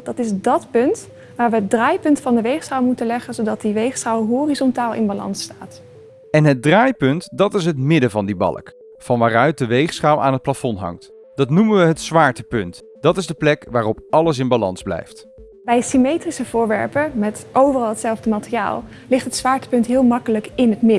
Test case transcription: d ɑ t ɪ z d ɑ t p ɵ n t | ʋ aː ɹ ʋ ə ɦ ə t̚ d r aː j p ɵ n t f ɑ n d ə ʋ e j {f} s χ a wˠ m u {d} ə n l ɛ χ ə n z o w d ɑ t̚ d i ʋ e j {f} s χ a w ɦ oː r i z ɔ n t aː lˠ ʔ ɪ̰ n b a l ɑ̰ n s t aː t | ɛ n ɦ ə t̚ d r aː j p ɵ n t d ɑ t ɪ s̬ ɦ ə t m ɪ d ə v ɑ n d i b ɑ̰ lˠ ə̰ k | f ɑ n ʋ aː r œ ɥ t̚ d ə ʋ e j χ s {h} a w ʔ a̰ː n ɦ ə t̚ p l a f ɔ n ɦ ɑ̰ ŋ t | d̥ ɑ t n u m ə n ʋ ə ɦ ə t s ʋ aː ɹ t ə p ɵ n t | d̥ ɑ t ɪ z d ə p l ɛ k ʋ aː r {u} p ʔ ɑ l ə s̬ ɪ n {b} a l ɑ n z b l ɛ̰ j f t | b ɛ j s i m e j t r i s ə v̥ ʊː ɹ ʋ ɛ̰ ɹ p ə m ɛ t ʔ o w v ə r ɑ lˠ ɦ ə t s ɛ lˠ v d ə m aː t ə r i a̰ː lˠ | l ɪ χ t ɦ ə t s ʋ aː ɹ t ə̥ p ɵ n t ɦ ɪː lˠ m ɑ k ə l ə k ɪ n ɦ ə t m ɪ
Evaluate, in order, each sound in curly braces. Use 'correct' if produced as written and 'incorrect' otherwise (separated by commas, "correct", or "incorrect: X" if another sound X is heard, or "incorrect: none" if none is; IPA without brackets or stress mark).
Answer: incorrect: χ, incorrect: t, incorrect: χ, incorrect: χ, incorrect: ɔ, correct